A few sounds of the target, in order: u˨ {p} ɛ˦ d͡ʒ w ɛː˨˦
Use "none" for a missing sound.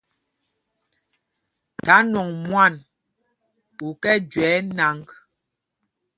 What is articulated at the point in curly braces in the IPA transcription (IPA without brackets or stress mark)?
k